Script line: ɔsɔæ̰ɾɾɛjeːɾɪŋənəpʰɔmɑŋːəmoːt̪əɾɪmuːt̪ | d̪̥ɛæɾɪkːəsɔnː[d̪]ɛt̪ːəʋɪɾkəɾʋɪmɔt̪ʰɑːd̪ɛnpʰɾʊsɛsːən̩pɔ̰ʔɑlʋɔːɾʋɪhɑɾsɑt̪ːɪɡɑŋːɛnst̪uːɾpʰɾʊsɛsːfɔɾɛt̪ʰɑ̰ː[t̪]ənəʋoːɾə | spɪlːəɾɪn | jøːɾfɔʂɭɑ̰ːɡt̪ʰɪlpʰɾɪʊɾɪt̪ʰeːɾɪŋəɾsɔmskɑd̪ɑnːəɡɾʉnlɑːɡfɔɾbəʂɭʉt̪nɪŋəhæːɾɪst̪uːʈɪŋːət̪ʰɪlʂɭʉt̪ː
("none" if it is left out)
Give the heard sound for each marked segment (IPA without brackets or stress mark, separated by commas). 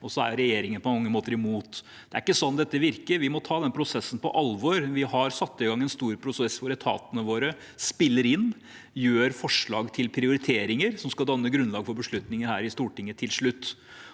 d̪, t̪